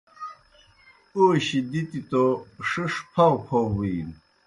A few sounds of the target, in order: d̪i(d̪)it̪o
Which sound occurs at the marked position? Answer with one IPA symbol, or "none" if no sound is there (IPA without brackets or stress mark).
t̪